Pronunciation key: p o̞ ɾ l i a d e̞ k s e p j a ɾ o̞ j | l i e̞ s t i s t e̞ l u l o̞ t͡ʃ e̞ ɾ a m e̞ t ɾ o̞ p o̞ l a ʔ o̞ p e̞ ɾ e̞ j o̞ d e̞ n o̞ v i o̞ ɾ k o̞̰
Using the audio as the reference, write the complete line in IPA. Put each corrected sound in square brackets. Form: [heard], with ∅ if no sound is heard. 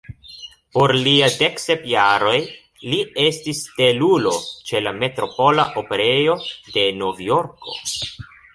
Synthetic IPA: p o̞ ɾ l i a d e̞ k s e p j a ɾ o̞ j | l i e̞ s t i s t e̞ l u l o̞ t͡ʃ e̞ [l] a m e̞ t ɾ o̞ p o̞ l a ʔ o̞ p e̞ ɾ e̞ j o̞ d e̞ n o̞ v [j] o̞ ɾ k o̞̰